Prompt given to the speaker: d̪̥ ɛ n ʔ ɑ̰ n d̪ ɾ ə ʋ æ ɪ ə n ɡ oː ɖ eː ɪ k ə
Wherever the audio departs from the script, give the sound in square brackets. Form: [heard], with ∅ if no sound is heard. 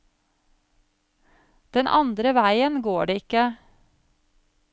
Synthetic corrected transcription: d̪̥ ɛ n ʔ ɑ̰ n d̪ ɾ ə ʋ æ ɪ ə n ɡ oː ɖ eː ɪ k ə